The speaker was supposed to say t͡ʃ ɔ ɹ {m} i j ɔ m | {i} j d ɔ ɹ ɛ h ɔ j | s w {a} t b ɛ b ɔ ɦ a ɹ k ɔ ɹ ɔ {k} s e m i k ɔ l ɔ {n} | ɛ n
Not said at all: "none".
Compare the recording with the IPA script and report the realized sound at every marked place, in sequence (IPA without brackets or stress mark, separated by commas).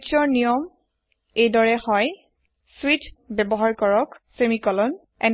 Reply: n, e, i, k, n